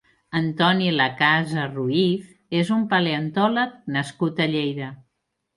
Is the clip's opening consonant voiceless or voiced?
voiced